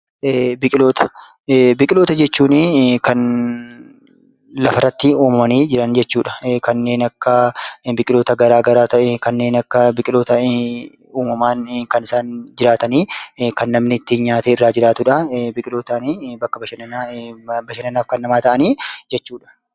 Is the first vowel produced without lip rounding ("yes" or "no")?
yes